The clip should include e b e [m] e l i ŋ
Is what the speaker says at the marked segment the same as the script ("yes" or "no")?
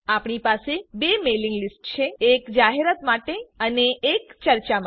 yes